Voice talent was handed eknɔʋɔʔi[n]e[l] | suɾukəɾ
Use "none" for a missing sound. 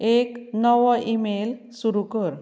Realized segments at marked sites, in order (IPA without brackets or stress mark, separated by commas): m, l